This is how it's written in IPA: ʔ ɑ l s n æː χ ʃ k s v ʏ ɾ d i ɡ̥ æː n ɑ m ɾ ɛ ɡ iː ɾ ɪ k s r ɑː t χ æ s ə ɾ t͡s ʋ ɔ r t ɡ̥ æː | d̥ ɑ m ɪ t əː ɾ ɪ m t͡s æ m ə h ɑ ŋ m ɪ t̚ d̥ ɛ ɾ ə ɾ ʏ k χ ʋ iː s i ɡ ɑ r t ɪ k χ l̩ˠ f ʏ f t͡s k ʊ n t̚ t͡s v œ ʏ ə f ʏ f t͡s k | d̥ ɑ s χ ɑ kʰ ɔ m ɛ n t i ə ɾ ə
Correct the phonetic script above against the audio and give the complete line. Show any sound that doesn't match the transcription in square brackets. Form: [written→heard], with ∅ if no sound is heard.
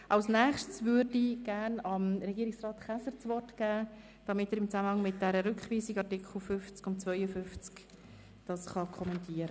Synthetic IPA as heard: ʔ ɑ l s n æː χ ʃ [k→t] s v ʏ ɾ d i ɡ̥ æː n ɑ m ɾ ɛ ɡ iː ɾ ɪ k s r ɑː t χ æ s ə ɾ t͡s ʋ ɔ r t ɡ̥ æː | d̥ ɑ m ɪ t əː ɾ ɪ m t͡s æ m ə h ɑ ŋ m ɪ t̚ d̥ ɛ ɾ ə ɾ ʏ k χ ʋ iː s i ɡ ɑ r t ɪ k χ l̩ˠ f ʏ f t͡s k ʊ n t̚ t͡s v œ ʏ ə f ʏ f t͡s k | d̥ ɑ s χ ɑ kʰ ɔ m ɛ n t i ə ɾ ə